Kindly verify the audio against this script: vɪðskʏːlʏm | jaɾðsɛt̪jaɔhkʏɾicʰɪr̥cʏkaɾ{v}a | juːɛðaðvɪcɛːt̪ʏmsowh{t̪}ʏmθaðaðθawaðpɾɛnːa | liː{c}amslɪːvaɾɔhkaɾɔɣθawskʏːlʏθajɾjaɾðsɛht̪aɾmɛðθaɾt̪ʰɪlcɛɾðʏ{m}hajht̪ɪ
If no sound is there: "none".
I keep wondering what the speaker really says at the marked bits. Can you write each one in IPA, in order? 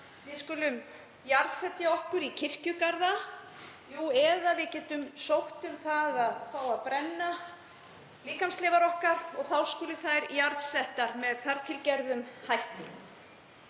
ð, t̪, k, m

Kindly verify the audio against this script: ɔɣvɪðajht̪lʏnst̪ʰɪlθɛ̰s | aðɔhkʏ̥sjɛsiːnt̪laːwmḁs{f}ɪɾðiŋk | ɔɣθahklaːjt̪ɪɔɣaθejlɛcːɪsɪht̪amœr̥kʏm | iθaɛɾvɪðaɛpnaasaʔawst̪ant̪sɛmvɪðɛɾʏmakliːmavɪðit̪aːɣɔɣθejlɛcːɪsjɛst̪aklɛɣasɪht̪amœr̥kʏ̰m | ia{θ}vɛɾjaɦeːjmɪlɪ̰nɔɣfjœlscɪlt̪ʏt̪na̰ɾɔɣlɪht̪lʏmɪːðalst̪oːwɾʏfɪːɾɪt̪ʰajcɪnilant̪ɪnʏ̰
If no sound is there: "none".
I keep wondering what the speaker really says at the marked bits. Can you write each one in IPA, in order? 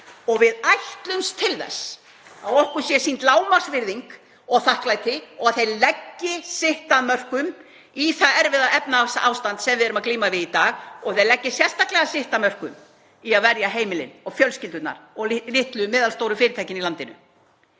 v, ð

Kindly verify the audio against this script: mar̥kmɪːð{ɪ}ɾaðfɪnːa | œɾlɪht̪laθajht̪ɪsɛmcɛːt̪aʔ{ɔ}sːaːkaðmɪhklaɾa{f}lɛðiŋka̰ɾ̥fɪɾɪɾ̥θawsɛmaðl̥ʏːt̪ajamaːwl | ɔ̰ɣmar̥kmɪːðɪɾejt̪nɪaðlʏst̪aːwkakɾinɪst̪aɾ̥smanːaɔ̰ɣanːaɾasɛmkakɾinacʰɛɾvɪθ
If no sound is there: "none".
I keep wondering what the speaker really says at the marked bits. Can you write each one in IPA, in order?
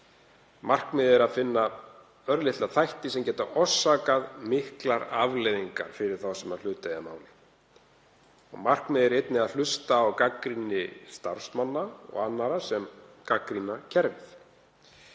ɪ, ɔ, v

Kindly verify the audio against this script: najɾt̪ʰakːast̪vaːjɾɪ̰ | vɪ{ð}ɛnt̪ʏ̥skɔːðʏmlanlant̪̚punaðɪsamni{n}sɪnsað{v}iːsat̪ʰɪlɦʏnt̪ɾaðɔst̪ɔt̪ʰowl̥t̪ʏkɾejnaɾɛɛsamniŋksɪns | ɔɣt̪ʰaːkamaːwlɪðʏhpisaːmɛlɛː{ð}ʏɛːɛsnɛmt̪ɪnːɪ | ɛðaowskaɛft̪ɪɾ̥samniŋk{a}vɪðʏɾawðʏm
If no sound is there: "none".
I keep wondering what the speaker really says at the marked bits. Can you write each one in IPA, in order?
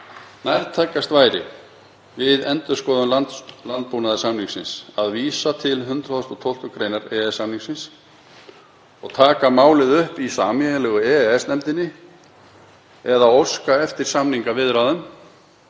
ð, ŋ, v, ɣ, a

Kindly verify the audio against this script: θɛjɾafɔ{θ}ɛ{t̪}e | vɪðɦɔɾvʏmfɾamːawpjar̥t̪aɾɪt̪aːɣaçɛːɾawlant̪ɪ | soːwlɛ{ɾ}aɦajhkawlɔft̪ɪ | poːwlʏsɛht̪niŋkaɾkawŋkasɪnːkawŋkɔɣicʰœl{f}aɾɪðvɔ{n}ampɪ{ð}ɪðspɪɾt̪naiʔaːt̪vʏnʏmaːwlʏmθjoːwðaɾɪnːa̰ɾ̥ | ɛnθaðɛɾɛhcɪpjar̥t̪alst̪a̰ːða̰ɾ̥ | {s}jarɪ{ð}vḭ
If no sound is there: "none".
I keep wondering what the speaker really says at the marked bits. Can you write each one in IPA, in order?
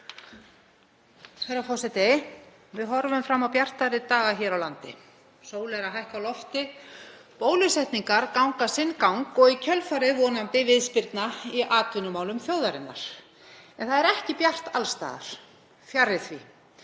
s, t̪, ɾ, f, n, v, f, θ

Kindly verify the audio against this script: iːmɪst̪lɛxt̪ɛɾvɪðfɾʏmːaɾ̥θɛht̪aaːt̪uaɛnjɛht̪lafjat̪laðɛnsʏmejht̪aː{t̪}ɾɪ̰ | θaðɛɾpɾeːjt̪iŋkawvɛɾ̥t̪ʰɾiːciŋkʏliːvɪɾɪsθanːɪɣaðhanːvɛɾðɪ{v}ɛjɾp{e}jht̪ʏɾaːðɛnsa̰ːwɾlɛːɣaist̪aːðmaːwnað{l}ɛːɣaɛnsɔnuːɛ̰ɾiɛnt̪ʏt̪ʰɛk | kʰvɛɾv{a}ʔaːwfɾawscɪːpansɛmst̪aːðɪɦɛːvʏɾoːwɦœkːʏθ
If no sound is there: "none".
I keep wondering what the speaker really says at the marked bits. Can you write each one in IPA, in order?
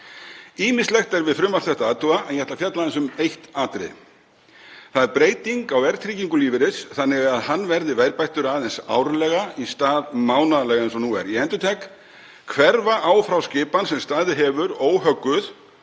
t̪, v, a, l, a

